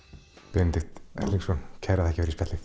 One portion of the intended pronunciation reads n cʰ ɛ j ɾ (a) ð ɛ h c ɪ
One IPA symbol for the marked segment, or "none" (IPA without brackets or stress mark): a